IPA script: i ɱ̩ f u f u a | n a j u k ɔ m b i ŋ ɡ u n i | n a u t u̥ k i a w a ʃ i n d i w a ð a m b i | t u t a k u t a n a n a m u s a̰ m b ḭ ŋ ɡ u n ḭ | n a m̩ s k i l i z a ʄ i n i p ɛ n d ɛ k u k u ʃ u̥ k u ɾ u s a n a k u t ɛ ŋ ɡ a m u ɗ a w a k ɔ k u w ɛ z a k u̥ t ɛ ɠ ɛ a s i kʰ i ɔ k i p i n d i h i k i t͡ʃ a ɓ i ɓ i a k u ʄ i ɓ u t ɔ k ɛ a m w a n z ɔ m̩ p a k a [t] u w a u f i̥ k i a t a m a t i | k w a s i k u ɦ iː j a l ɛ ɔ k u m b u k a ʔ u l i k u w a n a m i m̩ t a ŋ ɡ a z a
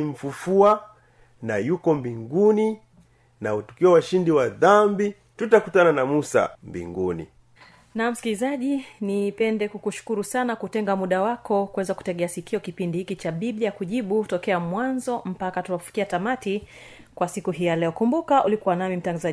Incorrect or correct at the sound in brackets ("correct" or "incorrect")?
correct